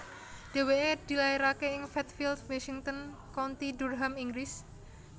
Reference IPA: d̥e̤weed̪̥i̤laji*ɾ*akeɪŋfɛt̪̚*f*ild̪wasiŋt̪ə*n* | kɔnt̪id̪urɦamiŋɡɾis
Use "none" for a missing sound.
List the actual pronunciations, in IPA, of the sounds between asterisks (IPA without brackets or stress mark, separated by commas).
ɾ, f, n